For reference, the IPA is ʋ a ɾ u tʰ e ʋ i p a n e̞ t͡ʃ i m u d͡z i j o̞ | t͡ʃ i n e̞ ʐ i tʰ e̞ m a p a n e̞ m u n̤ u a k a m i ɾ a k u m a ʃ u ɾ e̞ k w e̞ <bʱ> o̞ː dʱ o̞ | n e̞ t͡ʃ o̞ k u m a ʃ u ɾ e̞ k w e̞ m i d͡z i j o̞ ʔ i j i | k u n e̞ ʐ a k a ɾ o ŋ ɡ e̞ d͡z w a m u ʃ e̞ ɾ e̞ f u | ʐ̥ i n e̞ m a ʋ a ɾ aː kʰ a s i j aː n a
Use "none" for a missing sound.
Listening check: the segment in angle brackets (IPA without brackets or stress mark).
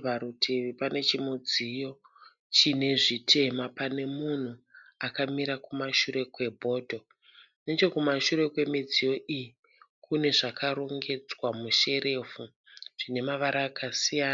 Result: bʱ